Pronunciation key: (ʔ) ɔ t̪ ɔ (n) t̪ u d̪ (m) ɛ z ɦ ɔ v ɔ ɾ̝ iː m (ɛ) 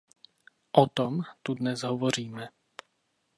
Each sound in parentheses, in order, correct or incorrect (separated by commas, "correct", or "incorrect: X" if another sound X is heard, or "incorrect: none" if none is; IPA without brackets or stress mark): correct, incorrect: m, incorrect: n, correct